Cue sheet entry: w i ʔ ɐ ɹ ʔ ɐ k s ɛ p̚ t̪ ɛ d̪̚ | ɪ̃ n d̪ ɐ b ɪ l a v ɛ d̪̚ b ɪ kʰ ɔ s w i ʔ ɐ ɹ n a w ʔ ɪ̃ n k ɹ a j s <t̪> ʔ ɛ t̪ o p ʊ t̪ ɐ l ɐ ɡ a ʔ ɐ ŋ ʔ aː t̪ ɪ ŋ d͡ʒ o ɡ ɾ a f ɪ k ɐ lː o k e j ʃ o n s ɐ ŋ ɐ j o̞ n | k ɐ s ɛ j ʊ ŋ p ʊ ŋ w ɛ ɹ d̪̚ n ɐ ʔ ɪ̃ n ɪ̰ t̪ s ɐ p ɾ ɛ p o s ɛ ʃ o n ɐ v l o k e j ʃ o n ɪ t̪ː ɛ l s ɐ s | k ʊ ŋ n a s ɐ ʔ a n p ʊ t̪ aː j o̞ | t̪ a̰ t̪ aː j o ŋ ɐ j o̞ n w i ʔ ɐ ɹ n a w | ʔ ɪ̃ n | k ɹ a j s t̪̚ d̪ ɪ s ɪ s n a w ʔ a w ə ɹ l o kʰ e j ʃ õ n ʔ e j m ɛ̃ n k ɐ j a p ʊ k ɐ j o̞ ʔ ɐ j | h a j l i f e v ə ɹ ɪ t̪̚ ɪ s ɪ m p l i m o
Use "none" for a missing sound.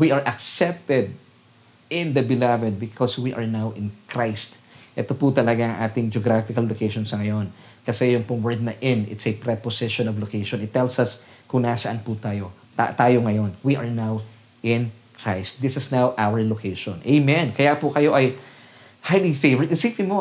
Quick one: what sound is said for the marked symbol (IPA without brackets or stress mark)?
t̪